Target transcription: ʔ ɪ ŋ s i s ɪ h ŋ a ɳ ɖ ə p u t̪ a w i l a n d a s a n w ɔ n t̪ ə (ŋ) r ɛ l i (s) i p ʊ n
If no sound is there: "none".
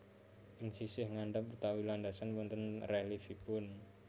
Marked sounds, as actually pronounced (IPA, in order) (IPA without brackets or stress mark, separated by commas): n, f